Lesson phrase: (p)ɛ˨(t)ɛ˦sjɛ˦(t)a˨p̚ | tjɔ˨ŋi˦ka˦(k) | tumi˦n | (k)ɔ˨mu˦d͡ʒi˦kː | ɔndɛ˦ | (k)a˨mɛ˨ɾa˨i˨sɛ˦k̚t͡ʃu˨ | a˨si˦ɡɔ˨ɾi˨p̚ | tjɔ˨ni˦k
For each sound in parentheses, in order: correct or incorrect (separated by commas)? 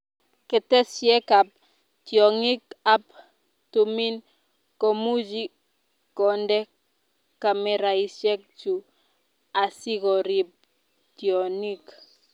incorrect, correct, incorrect, incorrect, correct, correct